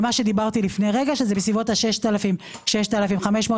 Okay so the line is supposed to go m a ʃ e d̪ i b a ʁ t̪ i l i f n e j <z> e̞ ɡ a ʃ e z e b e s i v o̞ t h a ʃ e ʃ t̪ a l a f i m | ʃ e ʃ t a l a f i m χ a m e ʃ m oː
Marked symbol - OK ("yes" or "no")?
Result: no